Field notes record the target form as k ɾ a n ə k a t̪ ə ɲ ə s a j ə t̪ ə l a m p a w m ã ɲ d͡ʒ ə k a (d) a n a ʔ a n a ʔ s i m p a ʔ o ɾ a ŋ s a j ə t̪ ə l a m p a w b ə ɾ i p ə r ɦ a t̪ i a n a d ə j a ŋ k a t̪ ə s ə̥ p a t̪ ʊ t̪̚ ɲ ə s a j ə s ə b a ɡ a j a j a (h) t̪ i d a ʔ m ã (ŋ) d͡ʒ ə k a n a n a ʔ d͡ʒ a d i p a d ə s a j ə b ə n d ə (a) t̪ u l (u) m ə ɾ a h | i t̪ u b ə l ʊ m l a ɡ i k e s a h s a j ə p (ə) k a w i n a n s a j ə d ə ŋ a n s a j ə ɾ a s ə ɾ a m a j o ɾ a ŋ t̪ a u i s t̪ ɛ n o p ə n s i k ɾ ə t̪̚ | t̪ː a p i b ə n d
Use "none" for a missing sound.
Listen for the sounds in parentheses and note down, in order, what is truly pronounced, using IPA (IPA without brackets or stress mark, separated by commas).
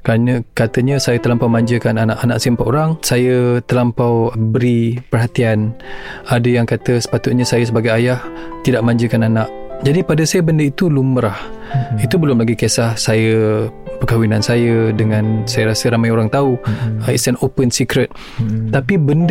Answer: n, h, ɲ, i, u, ə